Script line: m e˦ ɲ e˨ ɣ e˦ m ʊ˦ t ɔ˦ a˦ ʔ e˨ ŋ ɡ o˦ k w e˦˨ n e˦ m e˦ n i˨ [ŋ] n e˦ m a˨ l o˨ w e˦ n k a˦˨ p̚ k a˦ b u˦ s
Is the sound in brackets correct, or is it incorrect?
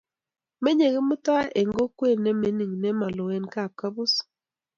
correct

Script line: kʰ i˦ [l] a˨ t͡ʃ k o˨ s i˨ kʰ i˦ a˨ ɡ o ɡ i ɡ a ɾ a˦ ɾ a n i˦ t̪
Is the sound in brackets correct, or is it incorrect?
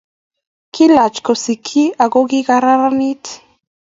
correct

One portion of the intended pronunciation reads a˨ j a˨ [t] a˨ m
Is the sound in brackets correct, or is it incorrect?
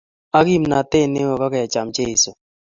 incorrect: t͡ʃ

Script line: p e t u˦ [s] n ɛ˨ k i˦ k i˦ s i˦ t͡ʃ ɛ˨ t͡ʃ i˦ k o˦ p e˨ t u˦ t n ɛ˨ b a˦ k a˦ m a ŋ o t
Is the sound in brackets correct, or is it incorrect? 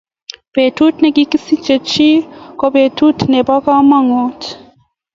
incorrect: t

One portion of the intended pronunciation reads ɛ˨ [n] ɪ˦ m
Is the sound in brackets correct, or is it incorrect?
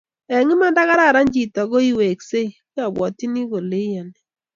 incorrect: ŋ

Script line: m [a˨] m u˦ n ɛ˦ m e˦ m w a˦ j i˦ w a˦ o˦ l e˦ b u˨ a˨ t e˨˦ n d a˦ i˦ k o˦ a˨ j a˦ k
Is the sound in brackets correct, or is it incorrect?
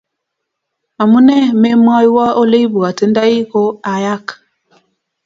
correct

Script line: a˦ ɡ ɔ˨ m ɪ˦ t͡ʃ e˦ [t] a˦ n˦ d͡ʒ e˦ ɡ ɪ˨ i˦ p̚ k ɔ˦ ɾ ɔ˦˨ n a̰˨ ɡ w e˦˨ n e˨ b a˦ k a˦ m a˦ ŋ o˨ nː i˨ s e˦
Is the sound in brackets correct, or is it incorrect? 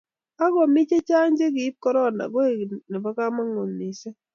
incorrect: t͡ʃ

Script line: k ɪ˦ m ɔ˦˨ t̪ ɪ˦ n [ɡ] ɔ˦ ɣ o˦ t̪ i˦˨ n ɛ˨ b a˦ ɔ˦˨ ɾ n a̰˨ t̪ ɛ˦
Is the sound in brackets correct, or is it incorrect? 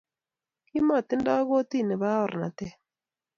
incorrect: d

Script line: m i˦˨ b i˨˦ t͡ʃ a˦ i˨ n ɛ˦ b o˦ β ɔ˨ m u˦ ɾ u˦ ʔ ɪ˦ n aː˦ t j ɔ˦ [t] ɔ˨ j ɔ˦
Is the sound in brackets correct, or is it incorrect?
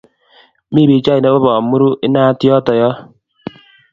correct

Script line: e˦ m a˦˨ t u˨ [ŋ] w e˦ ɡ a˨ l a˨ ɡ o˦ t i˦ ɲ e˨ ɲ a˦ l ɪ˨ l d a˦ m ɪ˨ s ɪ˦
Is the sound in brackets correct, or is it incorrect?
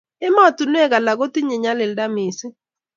incorrect: n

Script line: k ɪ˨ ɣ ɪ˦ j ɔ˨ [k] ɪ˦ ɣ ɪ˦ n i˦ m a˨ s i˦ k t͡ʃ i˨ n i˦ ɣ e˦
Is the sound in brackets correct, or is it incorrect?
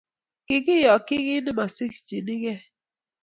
correct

